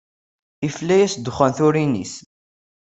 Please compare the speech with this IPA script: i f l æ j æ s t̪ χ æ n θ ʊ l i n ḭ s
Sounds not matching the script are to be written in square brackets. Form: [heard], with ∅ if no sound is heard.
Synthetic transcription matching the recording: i f l æ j æ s [d̪] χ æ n θ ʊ [ɾ] i n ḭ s